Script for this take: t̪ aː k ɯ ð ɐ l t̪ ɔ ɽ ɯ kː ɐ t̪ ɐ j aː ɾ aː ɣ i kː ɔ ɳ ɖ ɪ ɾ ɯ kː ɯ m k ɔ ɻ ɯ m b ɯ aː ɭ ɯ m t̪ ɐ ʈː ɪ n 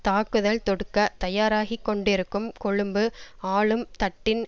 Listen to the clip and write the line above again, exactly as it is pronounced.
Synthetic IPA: t̪ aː k ɯ ð ɐ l t̪ ɔ ɽ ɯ kː ɐ t̪ ɐ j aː ɾ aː ɣ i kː ɔ ɳ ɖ ɪ ɾ ɯ kː ɯ m k ɔ ɻ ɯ m b ɯ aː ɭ ɯ m t̪ ɐ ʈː ɪ n

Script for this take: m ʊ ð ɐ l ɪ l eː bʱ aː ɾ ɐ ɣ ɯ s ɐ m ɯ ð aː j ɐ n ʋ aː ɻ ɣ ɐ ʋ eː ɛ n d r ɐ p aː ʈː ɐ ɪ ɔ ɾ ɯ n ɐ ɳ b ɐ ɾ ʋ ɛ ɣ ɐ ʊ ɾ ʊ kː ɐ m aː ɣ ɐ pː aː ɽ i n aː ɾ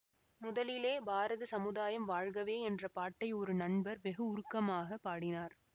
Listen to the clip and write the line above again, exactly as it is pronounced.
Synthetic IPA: m ʊ ð ɐ l ɪ l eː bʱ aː ɾ ɐ ð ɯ s ɐ m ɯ ð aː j ɐ m ʋ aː ɻ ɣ ɐ ʋ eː ɛ n d r ɐ p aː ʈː ɐ ɪ ɔ ɾ ɯ n ɐ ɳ b ɐ ɾ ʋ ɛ ɣ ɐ ʊ ɾ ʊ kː ɐ m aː ɣ ɐ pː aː ɽ ɪ n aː ɾ

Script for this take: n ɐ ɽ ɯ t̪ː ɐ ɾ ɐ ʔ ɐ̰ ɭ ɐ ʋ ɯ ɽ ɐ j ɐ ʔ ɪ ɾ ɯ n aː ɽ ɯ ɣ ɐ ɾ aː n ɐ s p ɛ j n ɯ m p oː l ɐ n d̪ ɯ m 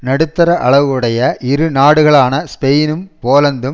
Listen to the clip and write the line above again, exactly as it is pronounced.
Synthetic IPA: n ɐ ɽ ɯ t̪ː ɐ ɾ ɐ ʔ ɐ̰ ɭ ɐ ʋ ɯ ɽ ɐ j ɐ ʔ ɪ ɾ ɯ n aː ɽ ɯ ɣ ɐ ɭ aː n ɐ s p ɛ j n ɯ m p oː l ɐ n d̪ ɯ m

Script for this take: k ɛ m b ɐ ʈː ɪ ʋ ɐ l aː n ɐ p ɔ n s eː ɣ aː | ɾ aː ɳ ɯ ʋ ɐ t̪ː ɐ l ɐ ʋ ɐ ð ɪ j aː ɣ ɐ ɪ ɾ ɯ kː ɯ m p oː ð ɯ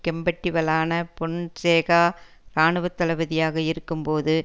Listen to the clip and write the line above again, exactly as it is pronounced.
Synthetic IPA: k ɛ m b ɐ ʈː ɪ ʋ ɐ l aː n ɐ p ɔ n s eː ɣ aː | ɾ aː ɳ ɯ ʋ ɐ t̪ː ɐ l ɐ ʋ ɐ ð ɪ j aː ɣ ɐ ɪ ɾ ɯ kː ɯ m p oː ð ɯ

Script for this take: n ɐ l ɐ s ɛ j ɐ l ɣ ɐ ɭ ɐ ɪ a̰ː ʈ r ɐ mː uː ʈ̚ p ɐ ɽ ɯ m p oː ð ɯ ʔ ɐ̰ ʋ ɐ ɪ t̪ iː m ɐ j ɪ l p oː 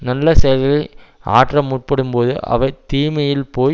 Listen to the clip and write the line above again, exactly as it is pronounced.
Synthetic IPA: n ɐ lː ɐ s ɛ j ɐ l ɣ ɐ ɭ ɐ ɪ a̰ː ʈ r ɐ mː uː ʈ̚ p ɐ ɽ ɯ m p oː ð ɯ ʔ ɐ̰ ʋ ɐ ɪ t̪ iː m ɐ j ɪ l p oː

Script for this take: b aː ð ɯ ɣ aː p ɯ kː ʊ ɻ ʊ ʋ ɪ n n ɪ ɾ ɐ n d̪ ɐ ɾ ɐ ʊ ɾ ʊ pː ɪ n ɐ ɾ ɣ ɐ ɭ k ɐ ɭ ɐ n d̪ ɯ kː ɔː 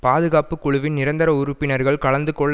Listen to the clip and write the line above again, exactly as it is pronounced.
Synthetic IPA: p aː ð ɯ ɣ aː p ɯ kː ʊ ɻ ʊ ʋ ɪ n n ɪ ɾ ɐ n d̪ ɐ ɾ ɐ ʊ ɾ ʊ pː ɪ n ɐ ɾ ɣ ɐ ɭ k ɐ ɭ ɐ n d̪ ɯ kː ɔː

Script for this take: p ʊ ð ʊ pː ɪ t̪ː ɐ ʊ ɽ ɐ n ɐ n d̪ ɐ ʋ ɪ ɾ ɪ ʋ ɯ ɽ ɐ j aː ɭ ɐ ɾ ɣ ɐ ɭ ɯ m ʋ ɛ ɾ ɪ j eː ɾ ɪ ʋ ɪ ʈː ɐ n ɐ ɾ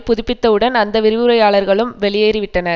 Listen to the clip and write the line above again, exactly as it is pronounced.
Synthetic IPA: p ʊ ð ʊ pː ɪ t̪ː ɐ ɯ ɽ ɐ n ɐ n d̪ ɐ ʋ ɪ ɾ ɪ ʋ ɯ ɾ ɐ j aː ɭ ɐ ɾ ɣ ɐ ɭ ɯ m ʋ ɛ ɭ ɪ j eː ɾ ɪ ʋ ɪ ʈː ɐ n ɐ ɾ

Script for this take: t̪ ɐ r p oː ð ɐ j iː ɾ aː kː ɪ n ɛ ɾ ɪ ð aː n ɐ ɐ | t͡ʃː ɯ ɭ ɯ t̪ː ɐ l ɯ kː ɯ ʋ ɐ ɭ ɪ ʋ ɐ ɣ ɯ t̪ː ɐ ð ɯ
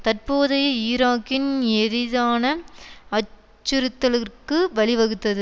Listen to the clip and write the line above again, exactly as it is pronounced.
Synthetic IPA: t̪ ɐ r p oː ð ɐ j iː ɾ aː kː ɪ n ɛ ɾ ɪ ð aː n ɐ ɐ | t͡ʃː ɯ ɾ ɯ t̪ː ɐ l ɯ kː ɯ ʋ ɐ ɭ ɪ ʋ ɐ ɣ ɯ t̪ː ɐ ð ɯ

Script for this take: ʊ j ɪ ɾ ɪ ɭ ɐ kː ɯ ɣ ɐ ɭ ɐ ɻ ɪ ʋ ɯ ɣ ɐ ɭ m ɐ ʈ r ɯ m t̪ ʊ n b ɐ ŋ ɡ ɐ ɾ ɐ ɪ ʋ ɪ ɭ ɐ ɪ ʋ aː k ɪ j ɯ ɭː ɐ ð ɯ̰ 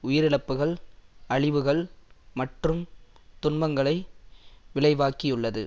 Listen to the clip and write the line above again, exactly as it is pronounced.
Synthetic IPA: ʊ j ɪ ɾ ɪ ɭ ɐ pː ɯ ɣ ɐ ɭ ɐ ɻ ɪ ʋ ɯ ɣ ɐ ɭ m ɐ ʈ r ɯ m t̪ ʊ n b ɐ ŋ ɡ ɐ ɭ ɐ ɪ ʋ ɪ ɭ ɐ ɪ ʋ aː k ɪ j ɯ ɭː ɐ ð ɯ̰

